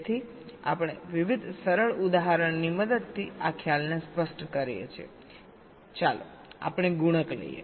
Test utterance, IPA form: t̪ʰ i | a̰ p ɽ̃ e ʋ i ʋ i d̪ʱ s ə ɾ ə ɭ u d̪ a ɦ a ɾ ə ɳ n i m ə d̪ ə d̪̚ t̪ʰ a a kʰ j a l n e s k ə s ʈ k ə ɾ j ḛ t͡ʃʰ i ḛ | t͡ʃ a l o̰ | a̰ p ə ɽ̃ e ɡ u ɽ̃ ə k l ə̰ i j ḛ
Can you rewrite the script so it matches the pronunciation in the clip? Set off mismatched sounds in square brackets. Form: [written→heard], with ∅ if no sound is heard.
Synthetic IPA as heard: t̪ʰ i | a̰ p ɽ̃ e ʋ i ʋ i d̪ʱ s ə ɾ ə ɭ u d̪ a ɦ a ɾ ə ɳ n i m ə d̪ ə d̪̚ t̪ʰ [a→i] a kʰ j a l n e s [k→p] ə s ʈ k ə ɾ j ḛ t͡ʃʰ i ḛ | t͡ʃ a l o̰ | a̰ p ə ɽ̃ e ɡ u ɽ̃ ə k l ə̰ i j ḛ